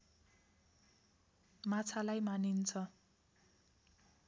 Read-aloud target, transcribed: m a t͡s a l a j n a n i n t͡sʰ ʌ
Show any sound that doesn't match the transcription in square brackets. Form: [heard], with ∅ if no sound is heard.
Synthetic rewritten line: m a [t͡sʰ] a l a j [m] a n i n t͡sʰ ʌ